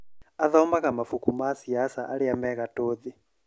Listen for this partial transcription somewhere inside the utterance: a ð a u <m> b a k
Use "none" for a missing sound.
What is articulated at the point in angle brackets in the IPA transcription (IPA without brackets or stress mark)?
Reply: m